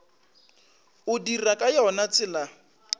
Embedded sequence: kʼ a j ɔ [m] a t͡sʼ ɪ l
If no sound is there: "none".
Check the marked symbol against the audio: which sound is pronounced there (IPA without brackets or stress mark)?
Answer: n